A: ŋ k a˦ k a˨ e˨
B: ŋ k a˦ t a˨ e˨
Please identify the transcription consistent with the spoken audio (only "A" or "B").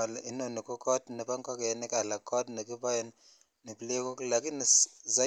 A